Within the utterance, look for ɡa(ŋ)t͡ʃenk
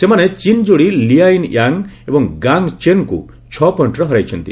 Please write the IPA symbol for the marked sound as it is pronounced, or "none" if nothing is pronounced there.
ŋ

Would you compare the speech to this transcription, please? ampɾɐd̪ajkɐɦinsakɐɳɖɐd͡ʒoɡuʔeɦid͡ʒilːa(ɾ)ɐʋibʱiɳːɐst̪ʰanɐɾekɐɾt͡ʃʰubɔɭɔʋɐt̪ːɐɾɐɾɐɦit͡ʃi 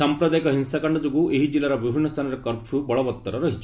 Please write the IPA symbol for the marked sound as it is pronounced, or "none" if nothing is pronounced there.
ɾ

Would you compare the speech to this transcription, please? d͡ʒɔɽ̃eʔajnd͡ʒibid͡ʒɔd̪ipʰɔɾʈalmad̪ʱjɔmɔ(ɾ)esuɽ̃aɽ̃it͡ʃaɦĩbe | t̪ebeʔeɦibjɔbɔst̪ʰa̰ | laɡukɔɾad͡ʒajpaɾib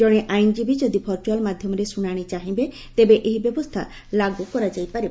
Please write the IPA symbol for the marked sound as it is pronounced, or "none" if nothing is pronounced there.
ɾ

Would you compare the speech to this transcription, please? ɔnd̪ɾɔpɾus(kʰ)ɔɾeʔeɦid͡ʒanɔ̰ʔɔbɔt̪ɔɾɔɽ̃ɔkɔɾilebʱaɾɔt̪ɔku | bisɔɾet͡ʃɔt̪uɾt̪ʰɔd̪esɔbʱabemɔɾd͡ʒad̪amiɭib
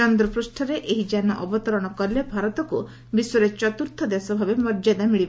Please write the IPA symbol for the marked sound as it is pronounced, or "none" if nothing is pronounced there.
ʈʰ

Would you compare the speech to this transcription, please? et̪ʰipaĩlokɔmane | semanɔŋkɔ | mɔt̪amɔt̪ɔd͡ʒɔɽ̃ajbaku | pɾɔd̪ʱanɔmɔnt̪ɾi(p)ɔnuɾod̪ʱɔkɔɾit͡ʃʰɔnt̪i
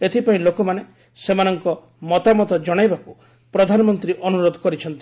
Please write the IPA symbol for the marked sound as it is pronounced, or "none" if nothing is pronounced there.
ʔ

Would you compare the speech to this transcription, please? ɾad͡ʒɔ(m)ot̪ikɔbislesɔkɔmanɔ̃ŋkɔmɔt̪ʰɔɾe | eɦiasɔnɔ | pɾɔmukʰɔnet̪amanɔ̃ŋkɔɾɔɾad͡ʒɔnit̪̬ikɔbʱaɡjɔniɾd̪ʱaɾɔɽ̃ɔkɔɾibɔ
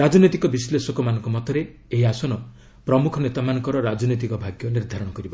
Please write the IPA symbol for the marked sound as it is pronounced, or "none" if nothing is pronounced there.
n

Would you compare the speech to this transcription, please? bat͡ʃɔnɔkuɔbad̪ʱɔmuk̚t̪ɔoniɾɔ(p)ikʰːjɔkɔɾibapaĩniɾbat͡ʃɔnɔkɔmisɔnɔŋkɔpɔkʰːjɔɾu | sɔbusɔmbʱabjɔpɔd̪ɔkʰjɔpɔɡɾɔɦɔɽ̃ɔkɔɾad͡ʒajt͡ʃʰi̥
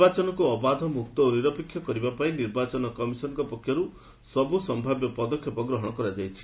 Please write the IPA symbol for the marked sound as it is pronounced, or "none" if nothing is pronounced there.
p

